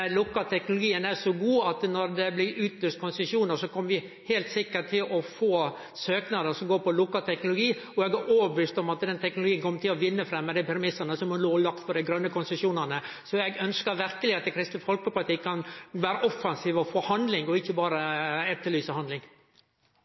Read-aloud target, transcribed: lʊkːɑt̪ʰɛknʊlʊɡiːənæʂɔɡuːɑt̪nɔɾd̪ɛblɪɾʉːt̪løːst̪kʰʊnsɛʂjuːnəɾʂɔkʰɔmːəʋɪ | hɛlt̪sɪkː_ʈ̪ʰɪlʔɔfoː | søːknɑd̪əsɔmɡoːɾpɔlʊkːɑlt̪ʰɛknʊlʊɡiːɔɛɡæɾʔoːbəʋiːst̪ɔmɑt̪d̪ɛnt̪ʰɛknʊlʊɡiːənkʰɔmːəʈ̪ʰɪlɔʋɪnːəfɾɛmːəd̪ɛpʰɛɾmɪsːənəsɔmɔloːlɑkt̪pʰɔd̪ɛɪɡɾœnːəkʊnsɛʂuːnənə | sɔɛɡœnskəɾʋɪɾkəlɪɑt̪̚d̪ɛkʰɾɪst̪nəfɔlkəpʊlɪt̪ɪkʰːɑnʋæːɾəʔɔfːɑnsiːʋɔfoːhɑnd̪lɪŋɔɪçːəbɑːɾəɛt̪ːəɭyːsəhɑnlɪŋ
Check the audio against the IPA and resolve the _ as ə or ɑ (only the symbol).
ə